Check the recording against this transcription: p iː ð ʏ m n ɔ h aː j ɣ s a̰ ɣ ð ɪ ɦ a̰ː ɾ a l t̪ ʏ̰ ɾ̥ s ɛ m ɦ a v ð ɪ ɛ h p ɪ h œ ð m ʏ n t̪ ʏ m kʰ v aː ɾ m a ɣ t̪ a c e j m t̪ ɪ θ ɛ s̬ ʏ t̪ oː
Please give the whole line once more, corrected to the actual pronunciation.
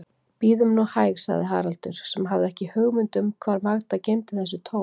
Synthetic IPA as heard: p iː ð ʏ m n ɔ h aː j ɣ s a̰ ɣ ð ɪ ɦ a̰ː ɾ a l t̪ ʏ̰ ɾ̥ s ɛ m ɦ a v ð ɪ ɛ h c ɪ h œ ɣ m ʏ n t̪ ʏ m kʰ v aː ɾ m a ɣ t̪ a c e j m t̪ ɪ θ ɛ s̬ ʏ t̪ʰ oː